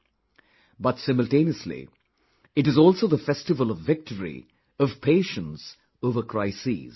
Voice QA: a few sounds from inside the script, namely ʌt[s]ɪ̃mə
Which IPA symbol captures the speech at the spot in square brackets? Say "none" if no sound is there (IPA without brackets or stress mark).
s